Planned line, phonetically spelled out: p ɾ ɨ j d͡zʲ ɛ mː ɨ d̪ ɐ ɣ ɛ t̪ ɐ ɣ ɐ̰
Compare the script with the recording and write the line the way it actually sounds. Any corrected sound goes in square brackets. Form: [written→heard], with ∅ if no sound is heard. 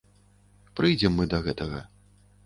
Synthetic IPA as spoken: p ɾ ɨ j d͡zʲ ɛ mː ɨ d̪ ɐ ɣ ɛ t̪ ɐ ɣ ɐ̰